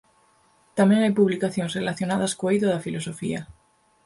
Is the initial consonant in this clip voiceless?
yes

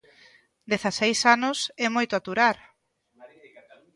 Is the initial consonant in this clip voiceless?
no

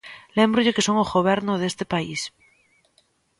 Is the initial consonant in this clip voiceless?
no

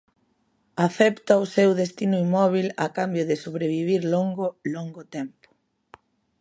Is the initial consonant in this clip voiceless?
yes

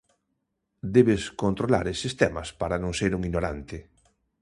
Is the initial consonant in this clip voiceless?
no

